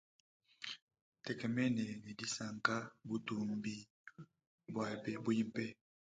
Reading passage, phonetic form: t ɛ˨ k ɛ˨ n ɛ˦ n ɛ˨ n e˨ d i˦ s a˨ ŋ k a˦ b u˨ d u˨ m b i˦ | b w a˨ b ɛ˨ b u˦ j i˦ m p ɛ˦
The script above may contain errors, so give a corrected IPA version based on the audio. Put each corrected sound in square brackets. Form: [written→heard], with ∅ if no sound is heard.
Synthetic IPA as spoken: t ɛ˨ k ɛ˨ [n→m] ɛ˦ n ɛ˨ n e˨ d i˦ s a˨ ŋ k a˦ b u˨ [d→t] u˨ m b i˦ | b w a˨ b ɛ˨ b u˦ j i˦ m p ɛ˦